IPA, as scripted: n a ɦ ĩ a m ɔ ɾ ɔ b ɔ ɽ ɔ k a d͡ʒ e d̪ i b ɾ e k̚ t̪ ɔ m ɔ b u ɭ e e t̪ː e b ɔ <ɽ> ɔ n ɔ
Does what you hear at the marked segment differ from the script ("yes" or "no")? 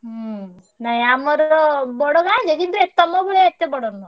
no